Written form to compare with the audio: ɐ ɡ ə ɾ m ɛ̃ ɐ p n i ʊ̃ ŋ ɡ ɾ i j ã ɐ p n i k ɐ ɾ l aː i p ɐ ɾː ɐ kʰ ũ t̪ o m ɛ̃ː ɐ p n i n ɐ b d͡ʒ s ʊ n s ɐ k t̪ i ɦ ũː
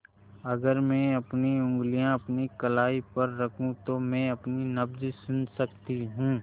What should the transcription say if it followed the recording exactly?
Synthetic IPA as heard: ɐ ɡ ə ɾ m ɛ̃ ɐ p n i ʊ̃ ŋ ɡ l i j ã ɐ p n i k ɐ l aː i p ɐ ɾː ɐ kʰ ũ t̪ o m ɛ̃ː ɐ p n i n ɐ b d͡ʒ s ʊ n s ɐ k t̪ i ɦ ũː